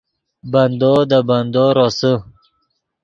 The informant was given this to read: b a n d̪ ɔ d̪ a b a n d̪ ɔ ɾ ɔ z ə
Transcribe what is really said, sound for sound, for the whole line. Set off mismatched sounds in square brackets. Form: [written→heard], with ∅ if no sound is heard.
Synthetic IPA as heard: b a n d̪ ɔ d̪ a b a n d̪ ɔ ɾ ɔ [z→s] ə

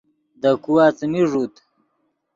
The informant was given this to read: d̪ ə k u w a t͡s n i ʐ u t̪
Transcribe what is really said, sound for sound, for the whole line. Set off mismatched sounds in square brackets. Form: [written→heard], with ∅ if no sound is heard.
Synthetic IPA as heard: d̪ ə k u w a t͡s [n→m] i ʐ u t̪

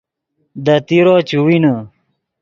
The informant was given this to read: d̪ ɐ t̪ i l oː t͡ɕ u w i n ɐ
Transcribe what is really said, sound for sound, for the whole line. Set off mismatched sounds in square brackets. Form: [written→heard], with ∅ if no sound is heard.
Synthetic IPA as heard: d̪ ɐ t̪ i [l→ɾ] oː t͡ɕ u w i n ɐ

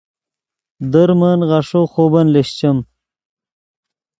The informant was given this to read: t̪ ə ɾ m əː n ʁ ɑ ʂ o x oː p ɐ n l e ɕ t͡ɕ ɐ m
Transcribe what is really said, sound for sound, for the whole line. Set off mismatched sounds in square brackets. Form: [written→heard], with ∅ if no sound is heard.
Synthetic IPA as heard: [t̪→d̪] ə ɾ m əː n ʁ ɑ ʂ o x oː [p→b] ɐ n l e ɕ t͡ɕ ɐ m

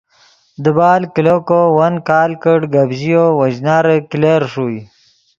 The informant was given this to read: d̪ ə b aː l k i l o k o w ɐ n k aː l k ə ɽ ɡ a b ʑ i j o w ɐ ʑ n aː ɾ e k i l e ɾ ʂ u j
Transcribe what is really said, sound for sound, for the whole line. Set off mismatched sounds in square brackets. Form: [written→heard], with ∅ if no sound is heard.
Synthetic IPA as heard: d̪ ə b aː l k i l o k o w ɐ n k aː l k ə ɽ ɡ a b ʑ i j o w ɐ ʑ n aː ɾ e k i l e ɾ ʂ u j

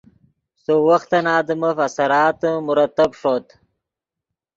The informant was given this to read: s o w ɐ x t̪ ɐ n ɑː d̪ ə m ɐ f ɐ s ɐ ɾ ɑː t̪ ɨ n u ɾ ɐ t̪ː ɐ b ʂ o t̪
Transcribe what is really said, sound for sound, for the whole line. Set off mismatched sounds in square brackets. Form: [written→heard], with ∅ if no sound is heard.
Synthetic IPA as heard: s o w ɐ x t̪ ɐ n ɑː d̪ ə m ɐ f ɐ s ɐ ɾ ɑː t̪ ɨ [n→m] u ɾ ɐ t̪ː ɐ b ʂ o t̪

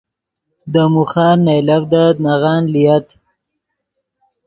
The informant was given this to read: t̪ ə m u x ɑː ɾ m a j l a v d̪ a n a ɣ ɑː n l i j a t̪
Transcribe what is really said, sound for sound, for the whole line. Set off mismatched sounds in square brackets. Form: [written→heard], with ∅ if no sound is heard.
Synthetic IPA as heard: [t̪→d̪] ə m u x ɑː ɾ [m→n] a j l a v d̪ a n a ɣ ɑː n l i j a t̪

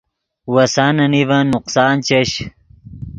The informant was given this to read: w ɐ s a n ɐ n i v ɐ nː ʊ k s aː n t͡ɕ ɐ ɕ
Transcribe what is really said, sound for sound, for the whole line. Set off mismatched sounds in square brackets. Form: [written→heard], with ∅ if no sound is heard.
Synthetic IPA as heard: w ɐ s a n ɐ n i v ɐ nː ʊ [k→q] s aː n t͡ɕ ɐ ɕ

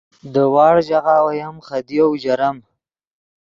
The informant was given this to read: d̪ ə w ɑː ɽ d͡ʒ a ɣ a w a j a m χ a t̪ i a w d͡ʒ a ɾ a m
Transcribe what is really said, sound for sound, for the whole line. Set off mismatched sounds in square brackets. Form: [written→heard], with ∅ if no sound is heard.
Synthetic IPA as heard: d̪ ə w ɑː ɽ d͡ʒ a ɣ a w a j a m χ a [t̪→d̪] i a w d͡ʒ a ɾ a m

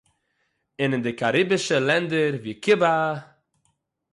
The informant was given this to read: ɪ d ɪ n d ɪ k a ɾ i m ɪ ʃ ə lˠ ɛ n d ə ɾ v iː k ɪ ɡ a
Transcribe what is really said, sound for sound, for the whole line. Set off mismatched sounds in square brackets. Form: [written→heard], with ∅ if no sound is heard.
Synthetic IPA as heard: ɪ [d→n] ɪ n d ɪ k a ɾ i [m→b] ɪ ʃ ə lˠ ɛ n d ə ɾ v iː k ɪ [ɡ→b] a

